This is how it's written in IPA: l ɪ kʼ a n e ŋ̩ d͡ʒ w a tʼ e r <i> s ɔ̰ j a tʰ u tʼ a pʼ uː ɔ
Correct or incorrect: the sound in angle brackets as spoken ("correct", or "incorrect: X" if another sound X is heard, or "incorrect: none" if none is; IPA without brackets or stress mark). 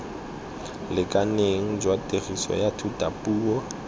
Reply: correct